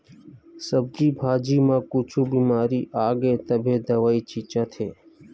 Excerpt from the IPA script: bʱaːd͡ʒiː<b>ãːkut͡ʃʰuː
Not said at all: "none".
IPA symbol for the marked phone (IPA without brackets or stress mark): m